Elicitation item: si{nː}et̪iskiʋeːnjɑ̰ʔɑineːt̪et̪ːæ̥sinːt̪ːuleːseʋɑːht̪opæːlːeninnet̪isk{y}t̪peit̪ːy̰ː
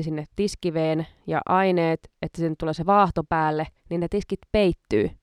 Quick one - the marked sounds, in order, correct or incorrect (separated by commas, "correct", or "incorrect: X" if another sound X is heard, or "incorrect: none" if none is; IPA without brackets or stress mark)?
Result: correct, incorrect: i